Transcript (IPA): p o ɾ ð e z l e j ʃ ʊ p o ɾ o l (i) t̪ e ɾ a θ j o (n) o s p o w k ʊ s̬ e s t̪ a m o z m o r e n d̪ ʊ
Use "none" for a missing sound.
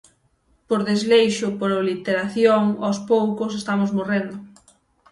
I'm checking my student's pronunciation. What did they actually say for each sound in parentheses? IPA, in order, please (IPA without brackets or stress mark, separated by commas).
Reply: i, ŋ